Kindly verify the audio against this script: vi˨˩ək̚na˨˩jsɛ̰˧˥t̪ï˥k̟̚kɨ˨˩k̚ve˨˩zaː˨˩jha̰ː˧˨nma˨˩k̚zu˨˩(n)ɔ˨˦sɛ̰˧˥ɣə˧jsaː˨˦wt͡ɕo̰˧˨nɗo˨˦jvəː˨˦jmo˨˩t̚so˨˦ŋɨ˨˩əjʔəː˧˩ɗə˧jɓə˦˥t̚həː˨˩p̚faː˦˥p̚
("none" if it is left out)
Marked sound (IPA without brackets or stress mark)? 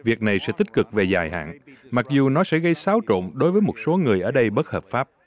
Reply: n